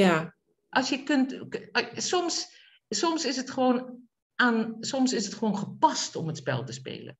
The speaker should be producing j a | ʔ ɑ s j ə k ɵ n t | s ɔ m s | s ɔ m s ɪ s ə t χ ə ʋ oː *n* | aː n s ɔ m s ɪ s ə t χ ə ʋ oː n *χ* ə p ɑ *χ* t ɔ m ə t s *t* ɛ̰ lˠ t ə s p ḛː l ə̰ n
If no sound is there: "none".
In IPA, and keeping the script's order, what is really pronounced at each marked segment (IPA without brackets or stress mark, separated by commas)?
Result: n, χ, s, p